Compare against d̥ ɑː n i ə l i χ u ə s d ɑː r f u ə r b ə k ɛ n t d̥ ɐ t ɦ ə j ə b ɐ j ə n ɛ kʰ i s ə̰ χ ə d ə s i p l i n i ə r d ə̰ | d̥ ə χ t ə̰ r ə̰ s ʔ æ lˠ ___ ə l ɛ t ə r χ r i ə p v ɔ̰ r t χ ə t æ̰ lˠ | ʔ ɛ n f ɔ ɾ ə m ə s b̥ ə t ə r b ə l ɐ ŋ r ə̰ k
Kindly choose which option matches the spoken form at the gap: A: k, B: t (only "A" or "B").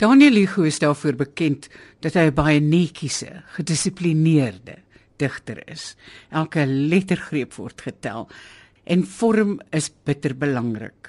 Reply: A